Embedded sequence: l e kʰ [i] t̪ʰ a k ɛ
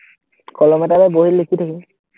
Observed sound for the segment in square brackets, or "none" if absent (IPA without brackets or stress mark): i